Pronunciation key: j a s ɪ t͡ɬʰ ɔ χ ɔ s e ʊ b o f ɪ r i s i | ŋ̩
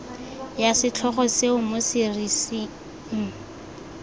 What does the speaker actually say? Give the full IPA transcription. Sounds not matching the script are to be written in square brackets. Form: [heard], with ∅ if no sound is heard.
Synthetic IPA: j a s ɪ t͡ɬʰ ɔ χ ɔ s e ʊ [m] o [s] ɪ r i s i | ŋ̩